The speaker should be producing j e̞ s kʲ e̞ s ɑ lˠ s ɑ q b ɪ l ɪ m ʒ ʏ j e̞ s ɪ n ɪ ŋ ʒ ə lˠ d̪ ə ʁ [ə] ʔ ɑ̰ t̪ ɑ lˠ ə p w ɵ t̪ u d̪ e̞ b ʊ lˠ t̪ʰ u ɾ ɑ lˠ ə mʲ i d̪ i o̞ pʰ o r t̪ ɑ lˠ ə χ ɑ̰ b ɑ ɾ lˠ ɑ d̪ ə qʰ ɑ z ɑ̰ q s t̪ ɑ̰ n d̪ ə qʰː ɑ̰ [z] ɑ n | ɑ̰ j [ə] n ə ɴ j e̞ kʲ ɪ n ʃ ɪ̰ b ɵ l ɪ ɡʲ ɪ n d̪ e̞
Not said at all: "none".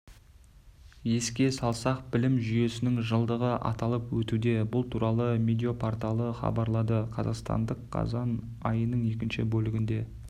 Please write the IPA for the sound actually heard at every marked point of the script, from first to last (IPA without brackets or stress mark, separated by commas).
ə, z, ə